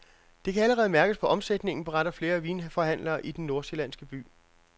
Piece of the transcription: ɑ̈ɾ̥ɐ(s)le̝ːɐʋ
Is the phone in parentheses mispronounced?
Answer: yes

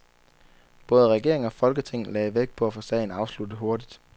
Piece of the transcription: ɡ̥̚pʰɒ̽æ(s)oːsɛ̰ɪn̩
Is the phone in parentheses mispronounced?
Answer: yes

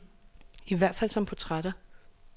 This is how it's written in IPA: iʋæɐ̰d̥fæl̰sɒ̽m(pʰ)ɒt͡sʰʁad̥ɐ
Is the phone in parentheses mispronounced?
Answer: no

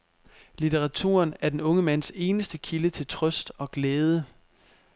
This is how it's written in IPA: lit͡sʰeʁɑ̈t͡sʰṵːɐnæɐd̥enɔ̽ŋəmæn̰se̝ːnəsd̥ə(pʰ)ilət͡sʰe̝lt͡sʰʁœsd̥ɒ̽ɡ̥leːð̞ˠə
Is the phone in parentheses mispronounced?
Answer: yes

